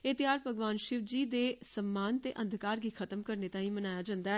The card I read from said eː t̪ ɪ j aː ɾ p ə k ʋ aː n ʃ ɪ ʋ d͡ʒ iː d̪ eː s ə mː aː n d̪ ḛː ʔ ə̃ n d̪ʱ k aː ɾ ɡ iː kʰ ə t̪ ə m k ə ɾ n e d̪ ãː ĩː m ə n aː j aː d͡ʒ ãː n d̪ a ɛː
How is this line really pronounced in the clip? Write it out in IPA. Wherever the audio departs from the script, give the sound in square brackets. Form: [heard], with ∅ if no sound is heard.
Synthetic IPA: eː t̪ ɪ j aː ɾ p ə [ɡ] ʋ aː n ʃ ɪ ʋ d͡ʒ iː d̪ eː s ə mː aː n [t̪] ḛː ʔ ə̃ n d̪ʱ k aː ɾ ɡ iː kʰ ə t̪ ə m k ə ɾ n e [t̪] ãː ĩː m ə n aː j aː d͡ʒ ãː n d̪ a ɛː